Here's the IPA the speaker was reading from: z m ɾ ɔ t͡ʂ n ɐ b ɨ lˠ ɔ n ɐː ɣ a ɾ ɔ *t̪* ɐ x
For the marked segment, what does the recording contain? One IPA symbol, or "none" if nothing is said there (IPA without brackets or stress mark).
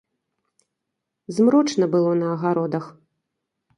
d̪